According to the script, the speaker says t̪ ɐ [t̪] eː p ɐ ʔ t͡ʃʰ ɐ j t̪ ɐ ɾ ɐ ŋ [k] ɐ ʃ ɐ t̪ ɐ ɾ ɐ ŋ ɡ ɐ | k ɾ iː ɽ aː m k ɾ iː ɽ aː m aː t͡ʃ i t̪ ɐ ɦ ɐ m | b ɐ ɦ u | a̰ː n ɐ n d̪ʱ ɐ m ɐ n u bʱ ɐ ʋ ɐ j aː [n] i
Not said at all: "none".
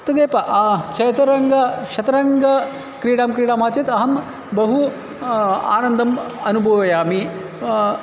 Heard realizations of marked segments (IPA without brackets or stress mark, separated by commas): d̪, ɡ, m